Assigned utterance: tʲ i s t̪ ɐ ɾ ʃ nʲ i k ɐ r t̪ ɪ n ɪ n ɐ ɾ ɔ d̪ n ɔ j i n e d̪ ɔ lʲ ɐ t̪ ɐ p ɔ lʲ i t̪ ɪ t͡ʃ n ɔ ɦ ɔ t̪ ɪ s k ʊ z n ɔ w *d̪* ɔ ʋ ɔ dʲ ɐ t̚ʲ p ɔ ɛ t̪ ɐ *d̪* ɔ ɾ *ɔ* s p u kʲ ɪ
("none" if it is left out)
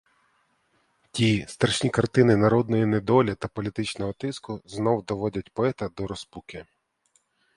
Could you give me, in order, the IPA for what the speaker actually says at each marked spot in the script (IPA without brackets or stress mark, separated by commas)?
d̪, d̪, ɔ